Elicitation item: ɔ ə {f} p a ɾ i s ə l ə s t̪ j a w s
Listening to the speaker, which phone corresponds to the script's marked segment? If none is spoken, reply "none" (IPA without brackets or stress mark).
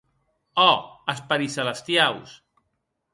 s